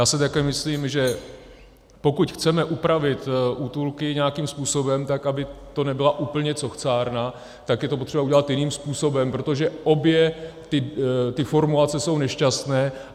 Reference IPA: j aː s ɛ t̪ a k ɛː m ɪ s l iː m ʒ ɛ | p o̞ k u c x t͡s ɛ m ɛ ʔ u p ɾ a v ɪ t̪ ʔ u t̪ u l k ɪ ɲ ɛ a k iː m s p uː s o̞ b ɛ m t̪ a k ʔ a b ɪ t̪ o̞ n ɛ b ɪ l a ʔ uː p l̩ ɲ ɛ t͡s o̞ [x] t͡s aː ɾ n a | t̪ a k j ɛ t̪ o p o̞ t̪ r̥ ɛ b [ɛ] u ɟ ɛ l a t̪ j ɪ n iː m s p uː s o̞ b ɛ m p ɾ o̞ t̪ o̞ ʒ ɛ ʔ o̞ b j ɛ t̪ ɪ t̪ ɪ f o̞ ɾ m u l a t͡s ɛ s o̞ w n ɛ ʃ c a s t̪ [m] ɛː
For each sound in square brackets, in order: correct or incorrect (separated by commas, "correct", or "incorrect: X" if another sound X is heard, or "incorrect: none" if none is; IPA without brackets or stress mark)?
correct, incorrect: a, incorrect: n